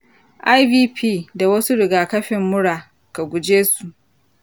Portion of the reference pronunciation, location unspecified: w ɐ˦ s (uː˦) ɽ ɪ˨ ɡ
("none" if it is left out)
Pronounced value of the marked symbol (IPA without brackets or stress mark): u˦